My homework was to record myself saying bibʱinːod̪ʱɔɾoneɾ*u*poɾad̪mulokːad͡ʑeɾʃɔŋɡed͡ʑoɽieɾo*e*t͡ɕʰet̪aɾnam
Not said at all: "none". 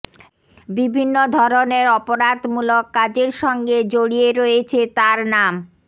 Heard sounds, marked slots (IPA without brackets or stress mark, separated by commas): ɔ, e